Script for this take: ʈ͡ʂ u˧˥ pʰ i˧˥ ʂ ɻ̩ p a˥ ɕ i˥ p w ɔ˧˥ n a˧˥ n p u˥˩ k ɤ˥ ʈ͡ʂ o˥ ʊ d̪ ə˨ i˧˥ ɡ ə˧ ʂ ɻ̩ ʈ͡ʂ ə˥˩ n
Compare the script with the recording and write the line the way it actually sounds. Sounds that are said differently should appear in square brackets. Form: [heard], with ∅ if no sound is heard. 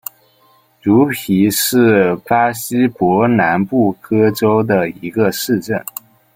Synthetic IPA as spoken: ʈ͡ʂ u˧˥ pʰ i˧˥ ʂ ɻ̩ p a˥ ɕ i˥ p w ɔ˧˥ n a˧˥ n p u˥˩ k ɤ˥ ʈ͡ʂ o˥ ʊ d̪ ə˨ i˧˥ ɡ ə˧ ʂ ɻ̩ ʈ͡ʂ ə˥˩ n